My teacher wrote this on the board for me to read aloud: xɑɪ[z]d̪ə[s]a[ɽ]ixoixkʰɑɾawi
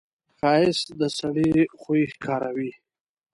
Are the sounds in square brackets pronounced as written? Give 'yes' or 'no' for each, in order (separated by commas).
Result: no, yes, yes